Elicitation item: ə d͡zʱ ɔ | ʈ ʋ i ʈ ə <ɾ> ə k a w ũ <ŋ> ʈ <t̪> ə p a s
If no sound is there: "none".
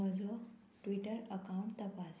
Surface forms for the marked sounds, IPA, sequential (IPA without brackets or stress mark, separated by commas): ɾ, ɳ, t̪